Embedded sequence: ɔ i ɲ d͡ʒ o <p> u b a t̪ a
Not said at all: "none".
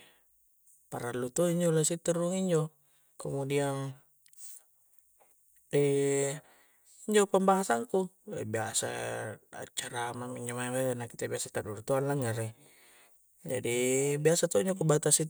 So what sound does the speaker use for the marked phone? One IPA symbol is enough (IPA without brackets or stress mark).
k